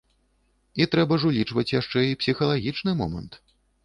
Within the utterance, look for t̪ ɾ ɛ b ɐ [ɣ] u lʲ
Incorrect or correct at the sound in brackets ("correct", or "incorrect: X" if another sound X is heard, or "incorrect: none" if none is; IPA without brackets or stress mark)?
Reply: incorrect: ʐ